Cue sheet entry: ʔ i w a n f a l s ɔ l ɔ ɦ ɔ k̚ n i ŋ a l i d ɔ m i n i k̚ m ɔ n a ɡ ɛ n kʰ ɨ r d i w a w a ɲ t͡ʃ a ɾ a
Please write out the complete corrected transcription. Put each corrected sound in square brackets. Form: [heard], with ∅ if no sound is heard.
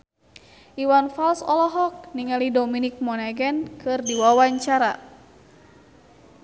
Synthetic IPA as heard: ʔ i w a n f a l s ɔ l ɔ ɦ ɔ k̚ n i ŋ a l i d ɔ m i n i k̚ m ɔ n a ɡ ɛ n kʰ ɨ r d i w a w a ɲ t͡ʃ a ɾ a